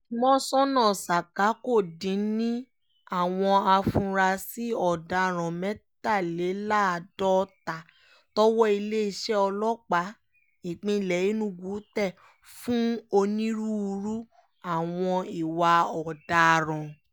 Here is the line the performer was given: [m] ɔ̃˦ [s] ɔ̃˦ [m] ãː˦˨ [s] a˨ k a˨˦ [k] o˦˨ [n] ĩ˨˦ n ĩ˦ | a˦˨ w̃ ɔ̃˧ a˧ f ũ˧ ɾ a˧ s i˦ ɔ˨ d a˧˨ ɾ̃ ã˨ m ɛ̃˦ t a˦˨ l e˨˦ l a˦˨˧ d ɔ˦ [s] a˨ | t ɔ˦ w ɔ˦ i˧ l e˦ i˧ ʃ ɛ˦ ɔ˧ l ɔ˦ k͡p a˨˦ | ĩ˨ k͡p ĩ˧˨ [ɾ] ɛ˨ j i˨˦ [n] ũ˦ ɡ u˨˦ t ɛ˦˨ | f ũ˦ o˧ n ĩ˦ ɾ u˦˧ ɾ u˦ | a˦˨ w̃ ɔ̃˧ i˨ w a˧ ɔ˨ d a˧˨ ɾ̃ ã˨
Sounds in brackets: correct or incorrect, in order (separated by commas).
correct, correct, incorrect, correct, correct, incorrect, incorrect, incorrect, correct